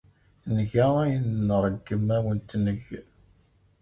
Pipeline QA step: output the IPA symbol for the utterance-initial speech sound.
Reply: n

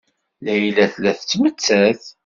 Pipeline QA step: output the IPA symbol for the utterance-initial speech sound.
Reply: l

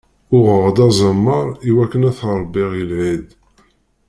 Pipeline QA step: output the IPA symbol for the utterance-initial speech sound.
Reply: ʊ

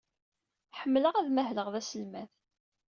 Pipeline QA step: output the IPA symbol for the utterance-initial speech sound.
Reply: ħ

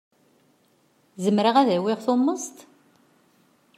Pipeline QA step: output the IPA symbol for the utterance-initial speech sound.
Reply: z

